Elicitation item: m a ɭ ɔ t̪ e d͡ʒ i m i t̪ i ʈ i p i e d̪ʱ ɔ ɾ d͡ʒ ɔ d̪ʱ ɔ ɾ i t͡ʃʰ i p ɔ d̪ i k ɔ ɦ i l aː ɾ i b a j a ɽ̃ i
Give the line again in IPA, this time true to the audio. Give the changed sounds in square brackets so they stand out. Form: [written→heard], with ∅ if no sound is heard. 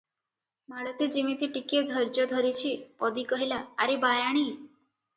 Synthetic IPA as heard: m a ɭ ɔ t̪ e d͡ʒ i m i t̪ i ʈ i [p→k] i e d̪ʱ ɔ ɾ d͡ʒ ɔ d̪ʱ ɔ ɾ i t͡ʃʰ i p ɔ d̪ i k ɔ ɦ i l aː ɾ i b a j a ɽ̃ i